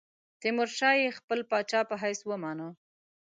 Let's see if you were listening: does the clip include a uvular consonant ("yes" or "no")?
no